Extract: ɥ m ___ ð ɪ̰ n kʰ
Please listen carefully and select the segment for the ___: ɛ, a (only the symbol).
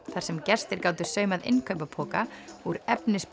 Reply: a